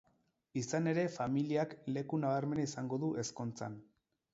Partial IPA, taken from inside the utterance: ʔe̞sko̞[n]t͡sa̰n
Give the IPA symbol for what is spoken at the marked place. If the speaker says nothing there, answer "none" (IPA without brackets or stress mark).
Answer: n